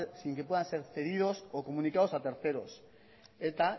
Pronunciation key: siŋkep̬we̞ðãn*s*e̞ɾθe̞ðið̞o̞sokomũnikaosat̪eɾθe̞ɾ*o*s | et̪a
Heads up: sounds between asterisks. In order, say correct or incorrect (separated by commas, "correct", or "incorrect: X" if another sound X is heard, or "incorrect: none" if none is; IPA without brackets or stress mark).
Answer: correct, correct